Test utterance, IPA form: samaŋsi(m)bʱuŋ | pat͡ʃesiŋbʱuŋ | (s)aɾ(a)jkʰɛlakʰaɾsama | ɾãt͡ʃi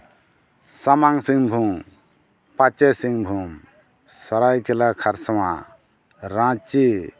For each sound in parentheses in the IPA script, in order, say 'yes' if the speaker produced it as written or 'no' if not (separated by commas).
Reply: no, yes, yes